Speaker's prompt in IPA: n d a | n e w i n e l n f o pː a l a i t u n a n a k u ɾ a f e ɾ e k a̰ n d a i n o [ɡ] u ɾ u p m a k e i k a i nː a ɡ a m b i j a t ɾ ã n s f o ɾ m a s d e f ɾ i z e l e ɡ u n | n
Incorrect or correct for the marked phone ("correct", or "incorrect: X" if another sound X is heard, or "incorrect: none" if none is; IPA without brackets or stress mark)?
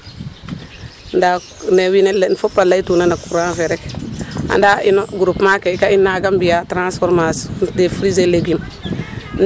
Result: correct